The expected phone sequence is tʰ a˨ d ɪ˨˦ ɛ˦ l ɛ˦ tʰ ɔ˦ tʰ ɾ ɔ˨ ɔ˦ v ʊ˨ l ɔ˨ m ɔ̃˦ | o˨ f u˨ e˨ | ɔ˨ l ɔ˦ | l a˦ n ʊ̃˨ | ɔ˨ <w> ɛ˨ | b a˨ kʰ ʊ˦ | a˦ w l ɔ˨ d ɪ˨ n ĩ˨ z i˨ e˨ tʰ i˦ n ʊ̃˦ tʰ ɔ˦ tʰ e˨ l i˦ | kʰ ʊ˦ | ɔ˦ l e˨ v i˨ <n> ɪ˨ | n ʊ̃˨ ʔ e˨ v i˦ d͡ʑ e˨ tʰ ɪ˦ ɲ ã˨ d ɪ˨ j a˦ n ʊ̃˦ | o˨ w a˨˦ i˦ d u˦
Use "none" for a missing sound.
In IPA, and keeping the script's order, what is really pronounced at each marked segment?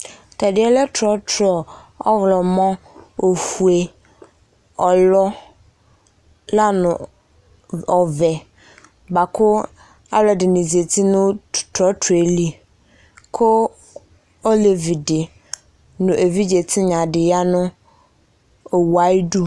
v, d

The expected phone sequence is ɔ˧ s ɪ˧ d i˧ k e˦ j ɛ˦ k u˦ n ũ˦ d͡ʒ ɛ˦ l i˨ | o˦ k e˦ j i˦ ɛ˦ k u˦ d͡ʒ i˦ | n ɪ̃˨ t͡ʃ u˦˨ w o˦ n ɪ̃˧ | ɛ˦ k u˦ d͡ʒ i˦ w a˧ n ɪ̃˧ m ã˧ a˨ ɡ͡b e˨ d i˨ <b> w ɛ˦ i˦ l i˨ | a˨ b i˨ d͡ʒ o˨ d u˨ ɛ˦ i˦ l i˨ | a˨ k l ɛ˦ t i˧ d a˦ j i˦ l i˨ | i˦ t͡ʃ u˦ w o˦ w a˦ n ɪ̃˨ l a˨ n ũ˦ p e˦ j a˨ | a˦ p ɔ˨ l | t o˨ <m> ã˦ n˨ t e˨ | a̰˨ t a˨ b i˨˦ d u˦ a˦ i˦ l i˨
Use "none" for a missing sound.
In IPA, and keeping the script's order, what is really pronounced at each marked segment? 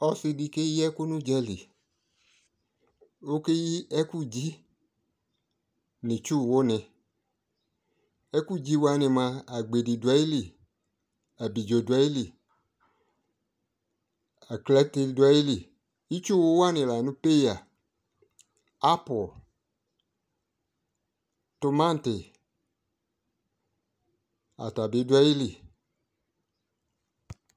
d, m

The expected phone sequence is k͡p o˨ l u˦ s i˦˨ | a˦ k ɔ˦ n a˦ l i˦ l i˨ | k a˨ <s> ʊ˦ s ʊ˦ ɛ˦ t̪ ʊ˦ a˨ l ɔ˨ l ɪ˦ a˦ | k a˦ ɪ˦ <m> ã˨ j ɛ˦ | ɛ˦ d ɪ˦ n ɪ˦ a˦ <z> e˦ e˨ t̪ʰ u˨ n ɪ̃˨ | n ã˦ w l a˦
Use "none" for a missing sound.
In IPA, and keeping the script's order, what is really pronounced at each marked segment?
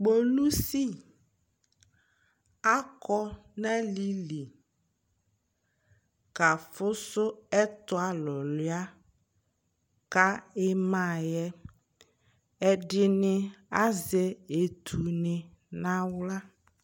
f, m, z

